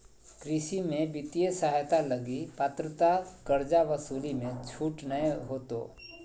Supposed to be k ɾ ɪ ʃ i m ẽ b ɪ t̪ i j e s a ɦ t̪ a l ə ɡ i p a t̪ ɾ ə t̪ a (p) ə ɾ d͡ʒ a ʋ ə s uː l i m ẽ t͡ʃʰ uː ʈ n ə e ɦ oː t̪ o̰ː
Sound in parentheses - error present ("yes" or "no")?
yes